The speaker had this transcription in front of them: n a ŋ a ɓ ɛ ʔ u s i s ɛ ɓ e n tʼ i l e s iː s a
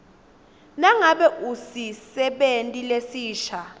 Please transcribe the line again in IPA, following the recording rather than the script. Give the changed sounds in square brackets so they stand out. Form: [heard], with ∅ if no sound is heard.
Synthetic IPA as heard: n a ŋ a ɓ ɛ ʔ u s i s ɛ ɓ e n tʼ i l e s iː [ʃ] a